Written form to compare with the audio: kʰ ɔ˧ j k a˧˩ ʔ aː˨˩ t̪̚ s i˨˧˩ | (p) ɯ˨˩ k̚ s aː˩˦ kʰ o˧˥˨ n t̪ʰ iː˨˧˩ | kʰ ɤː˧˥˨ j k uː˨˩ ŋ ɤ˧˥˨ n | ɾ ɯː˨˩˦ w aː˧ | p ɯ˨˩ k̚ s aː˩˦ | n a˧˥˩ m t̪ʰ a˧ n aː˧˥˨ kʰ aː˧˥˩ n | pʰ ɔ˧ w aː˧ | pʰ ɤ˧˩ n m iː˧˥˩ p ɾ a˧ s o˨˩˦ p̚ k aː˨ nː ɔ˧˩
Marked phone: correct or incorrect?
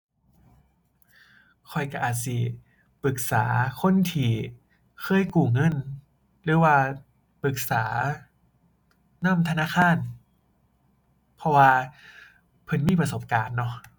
correct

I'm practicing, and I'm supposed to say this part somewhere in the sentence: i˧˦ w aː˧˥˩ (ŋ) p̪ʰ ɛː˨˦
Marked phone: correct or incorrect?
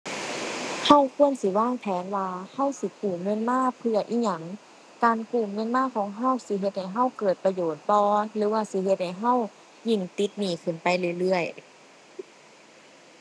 correct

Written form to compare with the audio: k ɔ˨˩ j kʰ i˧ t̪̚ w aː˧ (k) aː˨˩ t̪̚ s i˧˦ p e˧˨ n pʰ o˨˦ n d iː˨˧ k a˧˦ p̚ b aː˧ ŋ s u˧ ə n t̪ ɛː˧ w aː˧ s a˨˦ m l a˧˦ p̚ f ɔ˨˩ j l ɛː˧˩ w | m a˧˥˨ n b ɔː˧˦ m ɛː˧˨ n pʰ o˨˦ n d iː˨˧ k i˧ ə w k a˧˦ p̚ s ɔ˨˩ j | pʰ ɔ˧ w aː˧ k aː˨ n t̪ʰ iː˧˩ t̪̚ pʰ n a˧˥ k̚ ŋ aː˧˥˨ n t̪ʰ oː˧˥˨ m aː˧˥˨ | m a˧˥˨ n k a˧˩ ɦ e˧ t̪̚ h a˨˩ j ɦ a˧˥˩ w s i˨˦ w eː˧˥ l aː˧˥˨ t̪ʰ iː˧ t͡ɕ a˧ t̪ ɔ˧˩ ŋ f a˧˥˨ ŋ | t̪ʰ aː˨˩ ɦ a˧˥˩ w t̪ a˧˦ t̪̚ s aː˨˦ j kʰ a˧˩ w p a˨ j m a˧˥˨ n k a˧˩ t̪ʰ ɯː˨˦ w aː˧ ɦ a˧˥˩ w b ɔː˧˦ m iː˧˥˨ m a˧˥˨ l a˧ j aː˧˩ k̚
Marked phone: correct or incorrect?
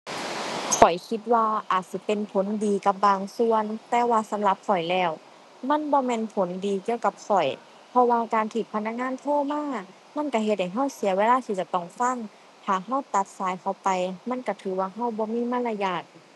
incorrect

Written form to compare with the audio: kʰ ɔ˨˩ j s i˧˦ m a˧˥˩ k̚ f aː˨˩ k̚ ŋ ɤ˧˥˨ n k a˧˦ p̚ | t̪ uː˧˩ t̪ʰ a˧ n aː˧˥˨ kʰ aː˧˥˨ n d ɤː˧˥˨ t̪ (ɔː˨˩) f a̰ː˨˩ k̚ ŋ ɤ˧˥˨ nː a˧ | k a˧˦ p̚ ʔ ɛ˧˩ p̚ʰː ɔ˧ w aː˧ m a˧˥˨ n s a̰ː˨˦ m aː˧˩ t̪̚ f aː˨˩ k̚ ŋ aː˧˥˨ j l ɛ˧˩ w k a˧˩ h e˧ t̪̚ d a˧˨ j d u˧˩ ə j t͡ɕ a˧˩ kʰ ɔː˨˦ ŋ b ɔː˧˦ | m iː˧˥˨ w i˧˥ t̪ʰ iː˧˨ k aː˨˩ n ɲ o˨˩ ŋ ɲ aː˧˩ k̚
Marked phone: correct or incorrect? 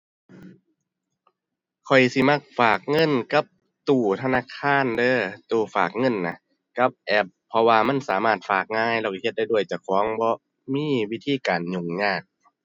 incorrect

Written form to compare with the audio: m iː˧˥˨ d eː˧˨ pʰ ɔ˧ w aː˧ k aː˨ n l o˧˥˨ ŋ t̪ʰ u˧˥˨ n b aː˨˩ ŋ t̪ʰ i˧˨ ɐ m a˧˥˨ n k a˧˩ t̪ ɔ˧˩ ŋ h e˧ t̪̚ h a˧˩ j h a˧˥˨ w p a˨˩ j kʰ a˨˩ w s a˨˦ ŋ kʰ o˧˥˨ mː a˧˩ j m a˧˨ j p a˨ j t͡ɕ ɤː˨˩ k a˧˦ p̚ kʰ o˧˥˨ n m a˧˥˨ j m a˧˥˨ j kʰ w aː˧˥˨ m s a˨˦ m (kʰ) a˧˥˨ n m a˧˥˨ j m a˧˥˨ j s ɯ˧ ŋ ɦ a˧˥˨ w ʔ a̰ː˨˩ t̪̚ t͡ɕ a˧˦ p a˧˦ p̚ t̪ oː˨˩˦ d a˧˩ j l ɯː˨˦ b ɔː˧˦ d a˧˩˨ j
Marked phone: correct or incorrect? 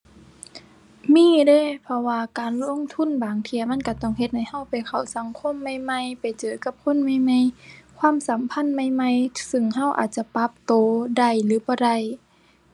incorrect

